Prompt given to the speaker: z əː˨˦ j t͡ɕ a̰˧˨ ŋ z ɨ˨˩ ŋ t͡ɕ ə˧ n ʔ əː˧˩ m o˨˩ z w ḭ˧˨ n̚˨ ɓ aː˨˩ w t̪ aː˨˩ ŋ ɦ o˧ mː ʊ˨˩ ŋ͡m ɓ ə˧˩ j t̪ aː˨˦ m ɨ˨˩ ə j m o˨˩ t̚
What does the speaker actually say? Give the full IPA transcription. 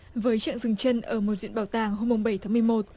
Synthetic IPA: v əː˨˦ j t͡ɕ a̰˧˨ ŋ z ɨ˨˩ ŋ t͡ɕ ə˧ n ʔ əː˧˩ m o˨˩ z w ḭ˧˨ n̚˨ ɓ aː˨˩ w t̪ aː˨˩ ŋ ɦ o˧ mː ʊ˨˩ ŋ͡m ɓ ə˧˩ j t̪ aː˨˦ m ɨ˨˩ ə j m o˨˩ t̚